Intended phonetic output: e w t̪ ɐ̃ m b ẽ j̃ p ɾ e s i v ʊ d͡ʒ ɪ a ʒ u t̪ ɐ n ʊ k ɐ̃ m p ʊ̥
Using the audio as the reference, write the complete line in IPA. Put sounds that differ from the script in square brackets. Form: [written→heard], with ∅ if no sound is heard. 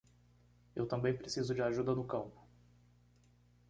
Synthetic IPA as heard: e w t̪ ɐ̃ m b ẽ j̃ p ɾ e s i [v→z] ʊ d͡ʒ ɪ a ʒ u [t̪→d̪] ɐ n ʊ k ɐ̃ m p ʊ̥

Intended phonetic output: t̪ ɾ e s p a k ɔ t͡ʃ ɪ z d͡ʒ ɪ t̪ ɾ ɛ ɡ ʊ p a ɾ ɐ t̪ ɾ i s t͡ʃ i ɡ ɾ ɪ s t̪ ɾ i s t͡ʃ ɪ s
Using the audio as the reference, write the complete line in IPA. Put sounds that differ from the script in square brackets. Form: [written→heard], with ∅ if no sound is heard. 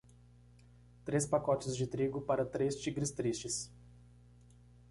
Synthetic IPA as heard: t̪ ɾ e s p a k ɔ t͡ʃ ɪ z d͡ʒ ɪ t̪ ɾ [ɛ→i] ɡ ʊ p a ɾ ɐ t̪ ɾ [i→e] s t͡ʃ i ɡ ɾ ɪ s t̪ ɾ i s t͡ʃ ɪ s

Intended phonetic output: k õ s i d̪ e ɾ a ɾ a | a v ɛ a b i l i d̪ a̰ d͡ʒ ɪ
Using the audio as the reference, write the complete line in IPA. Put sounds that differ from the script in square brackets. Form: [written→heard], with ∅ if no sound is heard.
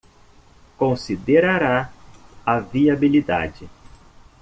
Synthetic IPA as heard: k õ s i d̪ e ɾ a ɾ a | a v [ɛ→i] a b i l i d̪ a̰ d͡ʒ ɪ

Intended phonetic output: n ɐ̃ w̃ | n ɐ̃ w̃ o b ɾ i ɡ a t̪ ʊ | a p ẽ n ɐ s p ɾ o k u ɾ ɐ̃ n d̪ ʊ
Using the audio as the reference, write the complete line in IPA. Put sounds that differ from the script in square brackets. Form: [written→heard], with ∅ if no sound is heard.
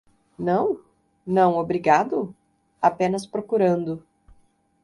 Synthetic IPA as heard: n ɐ̃ w̃ | n ɐ̃ w̃ o b ɾ i ɡ a [t̪→d̪] ʊ | a p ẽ n ɐ s p ɾ o k u ɾ ɐ̃ n d̪ ʊ

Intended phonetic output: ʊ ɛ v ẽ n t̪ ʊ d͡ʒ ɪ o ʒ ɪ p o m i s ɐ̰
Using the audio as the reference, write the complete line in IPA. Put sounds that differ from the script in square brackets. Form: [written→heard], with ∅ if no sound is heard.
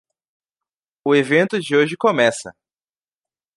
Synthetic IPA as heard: ʊ [ɛ→e] v ẽ n t̪ ʊ d͡ʒ ɪ o ʒ ɪ [p→k] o m [i→ɛ] s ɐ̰

